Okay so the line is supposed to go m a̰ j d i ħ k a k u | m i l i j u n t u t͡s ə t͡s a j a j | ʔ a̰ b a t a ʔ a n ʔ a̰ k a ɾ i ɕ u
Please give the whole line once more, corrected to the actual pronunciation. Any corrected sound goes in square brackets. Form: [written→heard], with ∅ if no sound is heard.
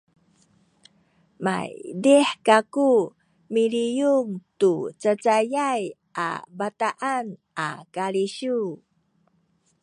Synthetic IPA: m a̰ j d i ħ k a k u | m i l i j u [n→ŋ] t u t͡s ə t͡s a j a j | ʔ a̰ b a t a ʔ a n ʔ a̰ k a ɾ i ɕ u